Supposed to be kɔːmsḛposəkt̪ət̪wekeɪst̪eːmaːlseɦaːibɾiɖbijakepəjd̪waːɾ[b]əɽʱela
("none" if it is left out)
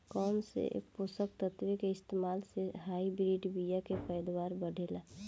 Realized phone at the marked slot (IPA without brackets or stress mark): b